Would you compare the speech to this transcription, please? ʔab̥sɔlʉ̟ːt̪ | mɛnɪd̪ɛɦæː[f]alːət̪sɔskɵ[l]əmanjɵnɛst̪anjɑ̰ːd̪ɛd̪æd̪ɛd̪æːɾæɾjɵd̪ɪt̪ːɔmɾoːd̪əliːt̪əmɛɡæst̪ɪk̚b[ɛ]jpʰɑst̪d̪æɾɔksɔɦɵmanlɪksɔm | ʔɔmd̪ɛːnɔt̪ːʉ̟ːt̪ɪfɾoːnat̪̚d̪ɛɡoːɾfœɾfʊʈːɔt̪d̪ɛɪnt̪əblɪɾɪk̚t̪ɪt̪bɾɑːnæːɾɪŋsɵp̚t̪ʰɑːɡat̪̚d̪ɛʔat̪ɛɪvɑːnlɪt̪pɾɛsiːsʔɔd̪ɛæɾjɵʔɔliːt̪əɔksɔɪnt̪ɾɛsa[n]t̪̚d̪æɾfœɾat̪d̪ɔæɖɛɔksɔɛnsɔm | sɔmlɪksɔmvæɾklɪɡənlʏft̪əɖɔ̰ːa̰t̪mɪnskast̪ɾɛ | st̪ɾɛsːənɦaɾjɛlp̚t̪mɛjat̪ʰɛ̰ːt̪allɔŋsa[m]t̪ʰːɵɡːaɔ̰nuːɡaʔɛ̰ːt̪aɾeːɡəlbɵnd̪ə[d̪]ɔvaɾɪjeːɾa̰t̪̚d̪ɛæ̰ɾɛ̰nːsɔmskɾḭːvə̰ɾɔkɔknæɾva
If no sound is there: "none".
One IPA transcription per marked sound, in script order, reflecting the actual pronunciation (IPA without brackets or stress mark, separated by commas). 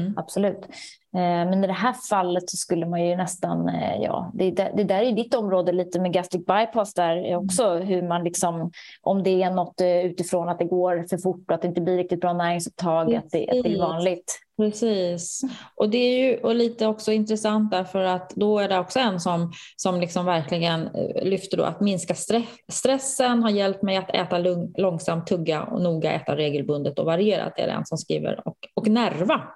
f, lː, a, n, m, t̪